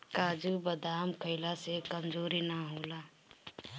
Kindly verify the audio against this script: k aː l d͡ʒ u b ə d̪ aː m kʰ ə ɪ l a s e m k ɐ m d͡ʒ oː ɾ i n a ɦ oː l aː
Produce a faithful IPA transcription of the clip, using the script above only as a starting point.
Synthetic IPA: k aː d͡ʒ u b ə d̪ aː m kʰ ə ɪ l a s e k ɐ m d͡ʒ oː ɾ i n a ɦ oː l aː